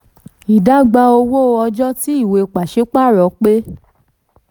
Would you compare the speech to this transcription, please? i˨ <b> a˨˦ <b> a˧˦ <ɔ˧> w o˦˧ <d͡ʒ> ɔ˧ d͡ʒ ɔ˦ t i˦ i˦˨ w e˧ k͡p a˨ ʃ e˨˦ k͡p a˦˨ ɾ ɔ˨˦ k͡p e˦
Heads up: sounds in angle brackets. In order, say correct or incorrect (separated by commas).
incorrect, incorrect, incorrect, incorrect